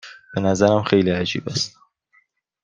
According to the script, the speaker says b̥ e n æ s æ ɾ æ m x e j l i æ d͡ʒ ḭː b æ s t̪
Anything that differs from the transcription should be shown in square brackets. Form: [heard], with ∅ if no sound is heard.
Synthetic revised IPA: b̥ e n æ [z] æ ɾ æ m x e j l i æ d͡ʒ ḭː b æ s t̪